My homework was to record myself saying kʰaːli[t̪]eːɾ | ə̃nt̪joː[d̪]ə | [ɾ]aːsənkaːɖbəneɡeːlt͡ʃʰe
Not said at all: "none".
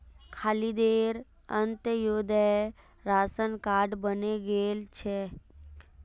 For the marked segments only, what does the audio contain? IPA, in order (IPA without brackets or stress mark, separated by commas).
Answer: d̪, d̪, ɾ